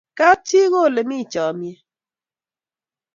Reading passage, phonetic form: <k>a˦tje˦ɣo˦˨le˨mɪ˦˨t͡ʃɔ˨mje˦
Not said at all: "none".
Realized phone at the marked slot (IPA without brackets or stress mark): k